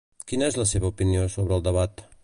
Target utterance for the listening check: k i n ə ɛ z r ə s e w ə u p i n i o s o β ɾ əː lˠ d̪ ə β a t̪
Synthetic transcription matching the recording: k i n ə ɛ z l ə s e β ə u p i n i o s o β ɾ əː lˠ d̪ ə β a t̪